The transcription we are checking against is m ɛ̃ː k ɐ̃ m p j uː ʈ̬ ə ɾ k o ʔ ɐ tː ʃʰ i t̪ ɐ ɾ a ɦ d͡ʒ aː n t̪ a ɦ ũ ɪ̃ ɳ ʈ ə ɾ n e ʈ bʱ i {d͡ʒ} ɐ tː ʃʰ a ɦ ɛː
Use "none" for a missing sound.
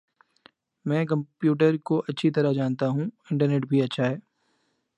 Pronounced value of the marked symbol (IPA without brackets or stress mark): none